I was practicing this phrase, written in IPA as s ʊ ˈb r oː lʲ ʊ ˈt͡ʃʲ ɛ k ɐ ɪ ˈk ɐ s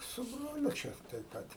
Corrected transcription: s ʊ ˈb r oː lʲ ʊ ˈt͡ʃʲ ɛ t ɐ ɪ ˈp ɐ t

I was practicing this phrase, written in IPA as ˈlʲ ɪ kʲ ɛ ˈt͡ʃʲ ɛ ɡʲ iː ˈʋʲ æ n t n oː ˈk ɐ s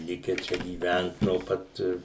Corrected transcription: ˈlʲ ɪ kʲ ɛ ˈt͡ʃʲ ɛ ɡʲ iː ˈʋʲ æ n t n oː ˈp ɐ t

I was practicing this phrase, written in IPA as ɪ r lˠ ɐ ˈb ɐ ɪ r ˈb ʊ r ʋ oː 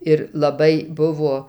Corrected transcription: ɪ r lˠ ɐ ˈb ɐ ɪ ˈb ʊ ʋ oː

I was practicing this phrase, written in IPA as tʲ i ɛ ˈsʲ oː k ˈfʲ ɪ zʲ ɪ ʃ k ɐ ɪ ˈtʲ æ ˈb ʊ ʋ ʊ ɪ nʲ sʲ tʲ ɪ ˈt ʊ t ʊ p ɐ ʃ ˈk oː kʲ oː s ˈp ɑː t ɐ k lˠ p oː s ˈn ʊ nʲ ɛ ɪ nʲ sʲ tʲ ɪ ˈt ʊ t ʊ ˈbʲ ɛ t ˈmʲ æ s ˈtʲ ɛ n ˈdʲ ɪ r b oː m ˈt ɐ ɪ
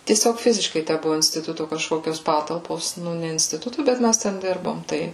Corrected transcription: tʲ i ɛ ˈsʲ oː k ˈfʲ ɪ zʲ ɪ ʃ k ɐ ɪ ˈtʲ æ ˈb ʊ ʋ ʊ ɪ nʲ sʲ tʲ ɪ ˈt ʊ t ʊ k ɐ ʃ ˈk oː kʲ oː s ˈp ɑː t ɐ lˠ p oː s ˈn ʊ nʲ ɛ ɪ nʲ sʲ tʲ ɪ ˈt ʊ t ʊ ˈbʲ ɛ t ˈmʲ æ s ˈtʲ ɛ n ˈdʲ ɪ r b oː m ˈt ɐ ɪ

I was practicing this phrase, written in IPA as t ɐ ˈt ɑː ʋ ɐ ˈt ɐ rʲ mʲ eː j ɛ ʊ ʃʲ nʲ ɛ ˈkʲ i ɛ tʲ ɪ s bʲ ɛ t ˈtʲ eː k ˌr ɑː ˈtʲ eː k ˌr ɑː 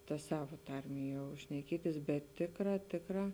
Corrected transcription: t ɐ ˈs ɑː ʋ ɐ ˈt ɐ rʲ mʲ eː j ɛ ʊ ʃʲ nʲ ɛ ˈkʲ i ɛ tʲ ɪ s bʲ ɛ t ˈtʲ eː k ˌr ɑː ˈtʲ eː k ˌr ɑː

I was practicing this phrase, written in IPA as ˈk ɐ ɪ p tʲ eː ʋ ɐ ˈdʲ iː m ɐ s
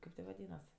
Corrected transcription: ˈk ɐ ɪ p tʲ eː ʋ ɐ ˈdʲ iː n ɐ s

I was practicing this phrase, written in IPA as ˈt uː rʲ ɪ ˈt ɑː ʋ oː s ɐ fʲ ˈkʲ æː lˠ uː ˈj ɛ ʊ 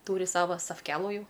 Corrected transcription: ˈt uː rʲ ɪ ˈs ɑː ʋ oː s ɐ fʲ ˈkʲ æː lˠ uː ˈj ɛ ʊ

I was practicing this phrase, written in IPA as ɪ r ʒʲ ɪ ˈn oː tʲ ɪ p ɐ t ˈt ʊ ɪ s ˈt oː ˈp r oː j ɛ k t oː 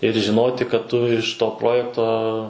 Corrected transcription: ɪ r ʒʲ ɪ ˈn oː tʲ ɪ k ɐ t ˈt ʊ ɪ ʃ ˈt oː ˈp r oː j ɛ k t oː

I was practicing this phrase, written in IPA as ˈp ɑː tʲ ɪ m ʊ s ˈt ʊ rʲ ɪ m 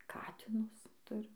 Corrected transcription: ˈk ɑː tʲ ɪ n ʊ s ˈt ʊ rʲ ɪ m

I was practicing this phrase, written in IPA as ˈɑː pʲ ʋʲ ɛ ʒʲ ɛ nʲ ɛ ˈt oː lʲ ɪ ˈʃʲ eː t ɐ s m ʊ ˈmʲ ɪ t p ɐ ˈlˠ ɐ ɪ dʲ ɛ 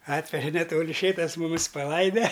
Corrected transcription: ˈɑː tʲ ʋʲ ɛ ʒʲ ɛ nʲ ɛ ˈt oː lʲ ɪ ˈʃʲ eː t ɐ s m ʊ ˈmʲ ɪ s p ɐ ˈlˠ ɐ ɪ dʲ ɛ

